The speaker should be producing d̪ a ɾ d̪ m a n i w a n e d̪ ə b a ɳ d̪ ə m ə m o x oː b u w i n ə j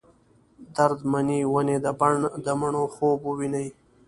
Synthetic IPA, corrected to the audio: d̪ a ɾ d̪ m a n i w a n e d̪ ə b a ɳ d̪ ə m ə ɳ o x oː b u w i n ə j